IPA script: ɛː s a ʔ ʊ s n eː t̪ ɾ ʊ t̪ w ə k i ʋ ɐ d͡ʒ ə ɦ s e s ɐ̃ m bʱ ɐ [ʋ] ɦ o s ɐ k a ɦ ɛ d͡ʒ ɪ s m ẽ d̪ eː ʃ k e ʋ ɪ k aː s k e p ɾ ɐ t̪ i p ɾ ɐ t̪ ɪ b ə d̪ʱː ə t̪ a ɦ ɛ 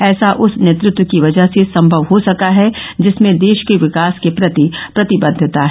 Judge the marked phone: correct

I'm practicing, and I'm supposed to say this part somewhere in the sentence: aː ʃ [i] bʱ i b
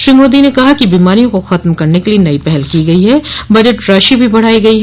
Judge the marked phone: correct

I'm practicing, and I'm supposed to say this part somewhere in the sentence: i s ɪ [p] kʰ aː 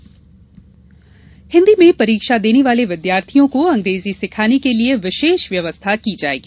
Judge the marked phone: incorrect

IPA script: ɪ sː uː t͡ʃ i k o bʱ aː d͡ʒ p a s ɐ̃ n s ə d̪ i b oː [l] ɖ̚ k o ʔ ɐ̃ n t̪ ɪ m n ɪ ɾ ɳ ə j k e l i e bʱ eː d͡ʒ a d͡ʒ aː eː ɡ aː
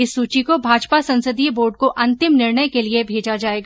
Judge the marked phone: incorrect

